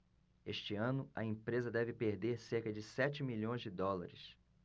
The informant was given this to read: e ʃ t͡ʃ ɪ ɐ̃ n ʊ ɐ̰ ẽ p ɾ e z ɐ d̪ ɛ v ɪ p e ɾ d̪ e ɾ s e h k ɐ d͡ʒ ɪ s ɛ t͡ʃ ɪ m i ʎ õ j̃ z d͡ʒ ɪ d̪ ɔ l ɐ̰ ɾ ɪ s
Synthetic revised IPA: e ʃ t͡ʃ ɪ ɐ̃ n ʊ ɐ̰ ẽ p ɾ e z ɐ d̪ ɛ v ɪ p e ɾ d̪ e ɾ s e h k ɐ d͡ʒ ɪ s ɛ t͡ʃ ɪ m i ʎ õ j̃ z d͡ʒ ɪ d̪ ɔ l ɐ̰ ɾ ɪ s